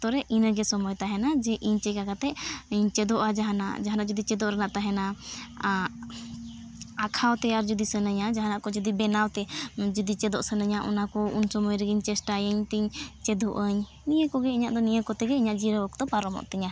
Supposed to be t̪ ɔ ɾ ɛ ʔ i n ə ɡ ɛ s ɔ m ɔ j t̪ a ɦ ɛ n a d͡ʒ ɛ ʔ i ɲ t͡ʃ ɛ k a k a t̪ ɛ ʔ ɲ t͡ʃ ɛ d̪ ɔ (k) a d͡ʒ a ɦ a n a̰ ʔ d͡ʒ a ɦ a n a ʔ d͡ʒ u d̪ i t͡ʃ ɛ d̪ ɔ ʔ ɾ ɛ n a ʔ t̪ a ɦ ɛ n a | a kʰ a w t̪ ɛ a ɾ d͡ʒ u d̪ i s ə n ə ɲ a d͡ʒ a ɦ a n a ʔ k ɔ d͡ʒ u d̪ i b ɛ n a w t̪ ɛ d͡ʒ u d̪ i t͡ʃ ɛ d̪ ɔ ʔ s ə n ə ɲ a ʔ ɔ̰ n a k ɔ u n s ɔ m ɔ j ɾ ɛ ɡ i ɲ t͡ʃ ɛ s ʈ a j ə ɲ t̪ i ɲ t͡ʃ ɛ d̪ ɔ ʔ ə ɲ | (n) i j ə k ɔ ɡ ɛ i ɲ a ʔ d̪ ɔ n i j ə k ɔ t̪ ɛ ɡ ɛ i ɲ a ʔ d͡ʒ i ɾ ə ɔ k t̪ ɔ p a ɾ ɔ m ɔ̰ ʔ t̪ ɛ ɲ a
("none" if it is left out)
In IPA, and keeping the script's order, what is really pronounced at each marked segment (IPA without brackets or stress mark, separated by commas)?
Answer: ʔ, n